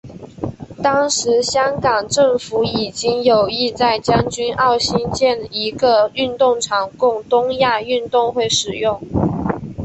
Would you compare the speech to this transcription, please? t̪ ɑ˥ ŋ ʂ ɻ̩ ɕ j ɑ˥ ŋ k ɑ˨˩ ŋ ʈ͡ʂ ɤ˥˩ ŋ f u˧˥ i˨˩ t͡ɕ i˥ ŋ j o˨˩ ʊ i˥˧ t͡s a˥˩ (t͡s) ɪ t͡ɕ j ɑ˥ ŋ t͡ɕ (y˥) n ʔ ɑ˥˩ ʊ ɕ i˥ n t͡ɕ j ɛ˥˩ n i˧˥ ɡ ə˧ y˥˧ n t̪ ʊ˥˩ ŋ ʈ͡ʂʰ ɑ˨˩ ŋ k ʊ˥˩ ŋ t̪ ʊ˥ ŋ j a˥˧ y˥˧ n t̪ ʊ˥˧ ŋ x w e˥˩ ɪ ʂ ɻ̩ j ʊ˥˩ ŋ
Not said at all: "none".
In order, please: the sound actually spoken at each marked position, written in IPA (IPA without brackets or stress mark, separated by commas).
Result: none, y˥